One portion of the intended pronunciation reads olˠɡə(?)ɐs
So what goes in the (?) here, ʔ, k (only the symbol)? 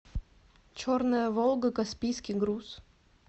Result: k